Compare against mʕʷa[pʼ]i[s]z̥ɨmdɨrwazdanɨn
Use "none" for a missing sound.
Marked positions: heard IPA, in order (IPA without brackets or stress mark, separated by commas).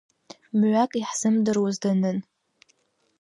kʼ, ħ